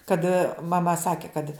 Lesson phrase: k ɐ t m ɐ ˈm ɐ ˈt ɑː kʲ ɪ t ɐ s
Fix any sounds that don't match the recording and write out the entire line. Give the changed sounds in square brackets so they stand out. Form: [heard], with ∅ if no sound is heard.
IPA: k ɐ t m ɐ ˈm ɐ [ˈs] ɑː kʲ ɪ [k] ɐ [t]